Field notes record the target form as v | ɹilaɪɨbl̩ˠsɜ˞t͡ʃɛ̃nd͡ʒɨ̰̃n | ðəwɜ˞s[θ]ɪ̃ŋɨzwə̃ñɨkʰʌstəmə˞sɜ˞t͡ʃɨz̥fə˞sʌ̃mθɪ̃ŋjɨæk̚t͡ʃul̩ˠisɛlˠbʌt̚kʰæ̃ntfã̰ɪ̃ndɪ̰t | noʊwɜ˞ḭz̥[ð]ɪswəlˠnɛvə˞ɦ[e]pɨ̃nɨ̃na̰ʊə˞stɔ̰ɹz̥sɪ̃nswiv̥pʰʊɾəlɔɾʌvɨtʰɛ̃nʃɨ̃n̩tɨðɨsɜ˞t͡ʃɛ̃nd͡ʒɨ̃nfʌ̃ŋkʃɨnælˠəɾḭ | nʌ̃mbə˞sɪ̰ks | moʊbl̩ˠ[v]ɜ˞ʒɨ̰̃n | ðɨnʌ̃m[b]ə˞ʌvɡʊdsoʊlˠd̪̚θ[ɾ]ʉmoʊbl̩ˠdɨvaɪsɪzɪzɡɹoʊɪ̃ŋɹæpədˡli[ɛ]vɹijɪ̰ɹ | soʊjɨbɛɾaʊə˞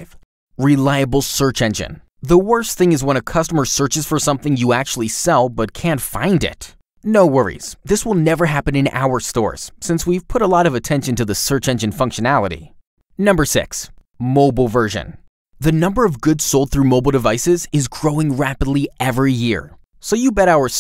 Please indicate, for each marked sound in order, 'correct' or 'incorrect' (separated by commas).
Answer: correct, correct, incorrect, correct, correct, incorrect, correct